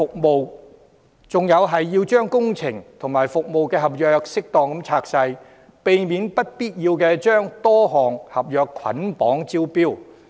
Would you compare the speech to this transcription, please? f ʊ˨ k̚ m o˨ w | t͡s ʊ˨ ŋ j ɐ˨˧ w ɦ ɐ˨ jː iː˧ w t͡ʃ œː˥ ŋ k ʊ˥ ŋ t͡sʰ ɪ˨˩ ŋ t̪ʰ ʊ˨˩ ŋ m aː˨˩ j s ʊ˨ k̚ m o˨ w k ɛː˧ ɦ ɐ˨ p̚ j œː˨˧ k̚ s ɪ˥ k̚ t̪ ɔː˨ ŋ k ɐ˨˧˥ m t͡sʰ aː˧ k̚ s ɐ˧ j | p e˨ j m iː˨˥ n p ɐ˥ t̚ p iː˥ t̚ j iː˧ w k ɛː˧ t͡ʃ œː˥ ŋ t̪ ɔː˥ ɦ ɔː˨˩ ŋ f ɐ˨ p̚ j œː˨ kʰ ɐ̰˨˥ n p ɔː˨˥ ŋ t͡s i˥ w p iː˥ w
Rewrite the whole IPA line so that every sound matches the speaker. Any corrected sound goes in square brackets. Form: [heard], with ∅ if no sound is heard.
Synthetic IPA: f ʊ˨ k̚ m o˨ w | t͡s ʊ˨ ŋ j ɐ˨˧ w ɦ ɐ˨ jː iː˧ w t͡ʃ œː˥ ŋ k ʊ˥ ŋ t͡sʰ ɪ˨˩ ŋ t̪ʰ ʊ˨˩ ŋ m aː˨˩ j [f] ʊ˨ k̚ m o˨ w k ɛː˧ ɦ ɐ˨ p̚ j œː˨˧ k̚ s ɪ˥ k̚ t̪ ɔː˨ ŋ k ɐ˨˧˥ m t͡sʰ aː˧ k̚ s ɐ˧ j | p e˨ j m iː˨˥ n p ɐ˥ t̚ p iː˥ t̚ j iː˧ w k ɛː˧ t͡ʃ œː˥ ŋ t̪ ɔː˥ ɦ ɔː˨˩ ŋ [h] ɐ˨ p̚ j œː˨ kʰ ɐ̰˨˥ n p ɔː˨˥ ŋ t͡s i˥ w p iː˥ w

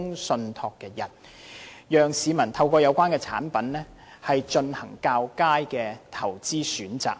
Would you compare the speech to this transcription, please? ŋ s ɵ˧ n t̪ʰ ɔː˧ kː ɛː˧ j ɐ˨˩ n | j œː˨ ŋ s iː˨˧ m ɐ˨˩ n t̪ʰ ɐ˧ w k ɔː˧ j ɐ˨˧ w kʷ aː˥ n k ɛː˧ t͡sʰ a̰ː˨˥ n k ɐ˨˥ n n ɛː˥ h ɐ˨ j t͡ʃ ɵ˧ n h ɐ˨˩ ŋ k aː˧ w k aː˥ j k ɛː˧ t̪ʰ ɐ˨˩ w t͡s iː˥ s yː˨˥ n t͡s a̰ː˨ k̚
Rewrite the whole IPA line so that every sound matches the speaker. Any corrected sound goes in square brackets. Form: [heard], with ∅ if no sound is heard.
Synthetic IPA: ŋ s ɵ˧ n t̪ʰ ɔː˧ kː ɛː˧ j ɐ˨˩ n | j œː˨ ŋ s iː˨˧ m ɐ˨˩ n t̪ʰ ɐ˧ w k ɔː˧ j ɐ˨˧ w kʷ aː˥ n k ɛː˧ t͡sʰ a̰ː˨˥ n [p] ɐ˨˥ n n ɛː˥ h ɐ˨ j t͡ʃ ɵ˧ n h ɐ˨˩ ŋ k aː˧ w k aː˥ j k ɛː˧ t̪ʰ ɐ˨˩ w t͡s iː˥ s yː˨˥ n t͡s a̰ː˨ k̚

